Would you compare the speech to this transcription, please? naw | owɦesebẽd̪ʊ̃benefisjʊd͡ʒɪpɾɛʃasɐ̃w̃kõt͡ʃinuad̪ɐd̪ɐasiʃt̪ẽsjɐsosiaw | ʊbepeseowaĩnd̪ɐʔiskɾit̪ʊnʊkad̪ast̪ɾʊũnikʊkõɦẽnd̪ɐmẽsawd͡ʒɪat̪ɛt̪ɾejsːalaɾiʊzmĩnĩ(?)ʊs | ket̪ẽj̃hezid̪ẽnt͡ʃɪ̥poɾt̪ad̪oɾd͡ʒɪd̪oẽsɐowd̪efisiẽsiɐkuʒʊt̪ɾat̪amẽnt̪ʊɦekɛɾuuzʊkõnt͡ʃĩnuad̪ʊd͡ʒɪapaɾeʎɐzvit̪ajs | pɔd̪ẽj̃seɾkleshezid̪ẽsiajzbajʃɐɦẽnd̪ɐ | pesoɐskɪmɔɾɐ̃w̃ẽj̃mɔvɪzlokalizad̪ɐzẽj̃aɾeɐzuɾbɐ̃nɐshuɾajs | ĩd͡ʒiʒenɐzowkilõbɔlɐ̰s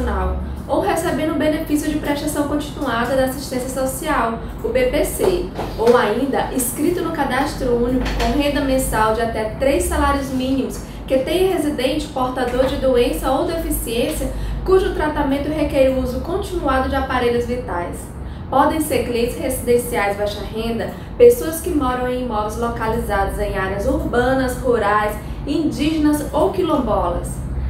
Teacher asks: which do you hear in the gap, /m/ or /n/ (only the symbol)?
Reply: m